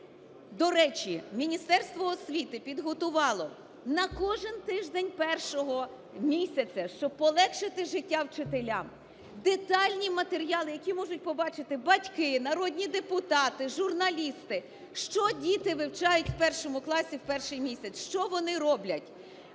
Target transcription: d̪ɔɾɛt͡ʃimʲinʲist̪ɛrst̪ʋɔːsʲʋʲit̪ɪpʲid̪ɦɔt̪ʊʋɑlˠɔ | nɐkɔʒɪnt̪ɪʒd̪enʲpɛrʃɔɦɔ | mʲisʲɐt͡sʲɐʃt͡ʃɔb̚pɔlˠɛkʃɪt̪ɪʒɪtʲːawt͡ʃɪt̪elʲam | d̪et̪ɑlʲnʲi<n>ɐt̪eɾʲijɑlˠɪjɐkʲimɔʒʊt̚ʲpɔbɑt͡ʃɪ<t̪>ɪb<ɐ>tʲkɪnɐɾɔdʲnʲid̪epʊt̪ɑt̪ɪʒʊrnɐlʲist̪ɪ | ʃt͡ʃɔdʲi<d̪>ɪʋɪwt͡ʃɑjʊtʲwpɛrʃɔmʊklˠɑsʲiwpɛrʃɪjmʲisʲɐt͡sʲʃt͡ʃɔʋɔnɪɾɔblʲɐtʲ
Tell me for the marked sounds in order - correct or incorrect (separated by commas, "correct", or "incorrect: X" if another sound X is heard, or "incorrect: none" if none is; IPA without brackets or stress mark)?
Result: incorrect: m, correct, correct, incorrect: t̪